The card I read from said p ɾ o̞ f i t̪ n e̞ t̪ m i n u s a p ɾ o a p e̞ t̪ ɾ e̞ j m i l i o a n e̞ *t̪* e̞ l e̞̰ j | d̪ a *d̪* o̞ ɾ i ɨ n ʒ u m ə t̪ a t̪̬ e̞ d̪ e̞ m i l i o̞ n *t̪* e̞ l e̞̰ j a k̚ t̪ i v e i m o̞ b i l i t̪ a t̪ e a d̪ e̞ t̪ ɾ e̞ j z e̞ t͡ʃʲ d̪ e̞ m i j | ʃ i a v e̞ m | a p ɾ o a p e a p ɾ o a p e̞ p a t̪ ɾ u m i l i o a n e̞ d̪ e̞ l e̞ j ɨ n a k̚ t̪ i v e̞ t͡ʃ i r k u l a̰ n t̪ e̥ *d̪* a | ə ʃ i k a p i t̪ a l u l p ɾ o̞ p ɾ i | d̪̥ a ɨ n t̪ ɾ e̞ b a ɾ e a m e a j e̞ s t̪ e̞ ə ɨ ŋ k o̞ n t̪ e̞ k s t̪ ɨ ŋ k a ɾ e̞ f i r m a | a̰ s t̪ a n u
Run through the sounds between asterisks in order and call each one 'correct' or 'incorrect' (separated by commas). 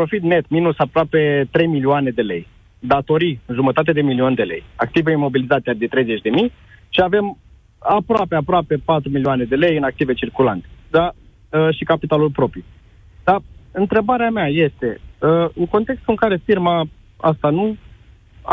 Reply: incorrect, incorrect, incorrect, correct